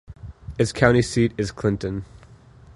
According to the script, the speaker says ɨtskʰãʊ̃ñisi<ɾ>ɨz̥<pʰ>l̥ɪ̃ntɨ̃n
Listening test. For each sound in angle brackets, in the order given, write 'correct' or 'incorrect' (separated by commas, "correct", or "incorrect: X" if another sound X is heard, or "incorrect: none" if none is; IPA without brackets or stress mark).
correct, incorrect: kʰ